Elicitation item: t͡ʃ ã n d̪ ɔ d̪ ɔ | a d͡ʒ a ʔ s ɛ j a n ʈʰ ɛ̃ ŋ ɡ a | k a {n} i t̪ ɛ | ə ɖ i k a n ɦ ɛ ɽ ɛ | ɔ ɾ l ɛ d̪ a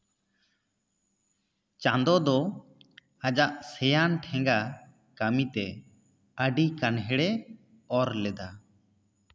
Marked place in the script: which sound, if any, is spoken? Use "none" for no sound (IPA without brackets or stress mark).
m